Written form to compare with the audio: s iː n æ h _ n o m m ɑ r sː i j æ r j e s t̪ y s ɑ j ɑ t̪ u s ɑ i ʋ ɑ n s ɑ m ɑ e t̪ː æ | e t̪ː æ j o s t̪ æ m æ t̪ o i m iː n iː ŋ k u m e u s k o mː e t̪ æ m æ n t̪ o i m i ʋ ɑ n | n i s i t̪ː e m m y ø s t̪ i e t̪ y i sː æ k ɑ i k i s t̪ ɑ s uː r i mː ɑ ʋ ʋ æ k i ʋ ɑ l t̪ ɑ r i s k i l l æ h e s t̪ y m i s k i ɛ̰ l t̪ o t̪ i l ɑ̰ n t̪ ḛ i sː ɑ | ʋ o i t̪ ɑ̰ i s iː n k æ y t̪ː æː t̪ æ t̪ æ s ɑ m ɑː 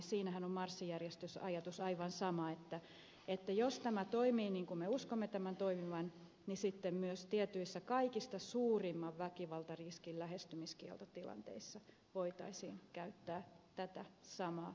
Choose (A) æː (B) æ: B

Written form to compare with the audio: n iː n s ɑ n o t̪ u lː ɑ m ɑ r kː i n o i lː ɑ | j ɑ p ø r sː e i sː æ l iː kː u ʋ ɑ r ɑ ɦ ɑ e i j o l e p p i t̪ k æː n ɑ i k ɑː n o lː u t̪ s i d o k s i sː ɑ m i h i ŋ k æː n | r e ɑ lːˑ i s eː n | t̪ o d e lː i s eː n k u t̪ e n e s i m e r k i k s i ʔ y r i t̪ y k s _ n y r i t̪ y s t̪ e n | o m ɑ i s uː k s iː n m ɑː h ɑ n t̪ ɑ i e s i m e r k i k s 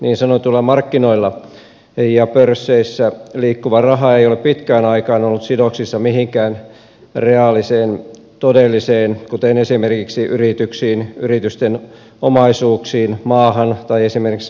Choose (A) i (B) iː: B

